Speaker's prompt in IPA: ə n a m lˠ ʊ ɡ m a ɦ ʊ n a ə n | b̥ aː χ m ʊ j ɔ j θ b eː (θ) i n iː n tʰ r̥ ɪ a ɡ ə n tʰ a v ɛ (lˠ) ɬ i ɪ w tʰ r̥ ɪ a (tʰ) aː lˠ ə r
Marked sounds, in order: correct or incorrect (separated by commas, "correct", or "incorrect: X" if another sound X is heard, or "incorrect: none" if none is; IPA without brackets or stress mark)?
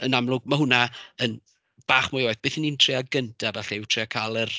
correct, incorrect: none, incorrect: kʰ